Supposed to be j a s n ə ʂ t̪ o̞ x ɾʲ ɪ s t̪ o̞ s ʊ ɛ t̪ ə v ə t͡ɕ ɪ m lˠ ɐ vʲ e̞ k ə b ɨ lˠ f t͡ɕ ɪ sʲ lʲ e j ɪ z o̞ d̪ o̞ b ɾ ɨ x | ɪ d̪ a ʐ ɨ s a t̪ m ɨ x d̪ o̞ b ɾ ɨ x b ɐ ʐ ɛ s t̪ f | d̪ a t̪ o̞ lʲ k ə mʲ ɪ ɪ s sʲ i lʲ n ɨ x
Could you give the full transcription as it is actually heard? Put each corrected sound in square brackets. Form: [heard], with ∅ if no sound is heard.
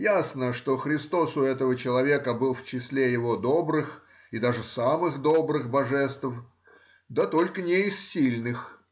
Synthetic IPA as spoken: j a s n ə ʂ t̪ o̞ x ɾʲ ɪ s t̪ o̞ s ʊ ɛ t̪ ə v ə t͡ɕ ɪ [∅] lˠ ɐ vʲ e̞ k ə b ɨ lˠ f t͡ɕ ɪ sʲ lʲ e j ɪ [v] o̞ d̪ o̞ b ɾ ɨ x | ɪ d̪ a ʐ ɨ s a [∅] m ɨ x d̪ o̞ b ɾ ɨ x b ɐ ʐ ɛ s t̪ f | d̪ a t̪ o̞ lʲ k ə [nʲ] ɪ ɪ s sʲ i lʲ n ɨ x